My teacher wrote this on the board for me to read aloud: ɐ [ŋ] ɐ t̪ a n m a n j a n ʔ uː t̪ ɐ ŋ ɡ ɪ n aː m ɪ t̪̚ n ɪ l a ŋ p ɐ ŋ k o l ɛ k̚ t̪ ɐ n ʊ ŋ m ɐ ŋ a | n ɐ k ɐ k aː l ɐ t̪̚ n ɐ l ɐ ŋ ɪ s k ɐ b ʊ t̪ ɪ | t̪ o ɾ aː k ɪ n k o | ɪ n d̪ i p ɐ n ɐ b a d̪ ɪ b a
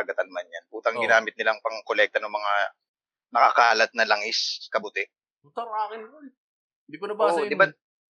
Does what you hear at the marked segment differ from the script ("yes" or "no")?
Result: yes